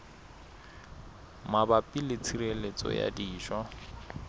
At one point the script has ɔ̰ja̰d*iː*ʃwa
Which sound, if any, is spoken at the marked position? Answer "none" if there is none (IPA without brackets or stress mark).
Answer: iː